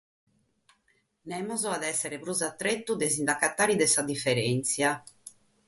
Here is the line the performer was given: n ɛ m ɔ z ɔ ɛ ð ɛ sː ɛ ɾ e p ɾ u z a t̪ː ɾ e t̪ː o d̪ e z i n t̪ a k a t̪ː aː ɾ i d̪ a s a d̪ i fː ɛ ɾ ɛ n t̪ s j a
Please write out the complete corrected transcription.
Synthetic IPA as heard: n ɛ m ɔ z ɔ a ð ɛ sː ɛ ɾ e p ɾ u z a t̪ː ɾ e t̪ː u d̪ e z i n d̪ a k a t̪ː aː ɾ i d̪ ɛ s a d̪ i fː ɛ ɾ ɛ n t̪ s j a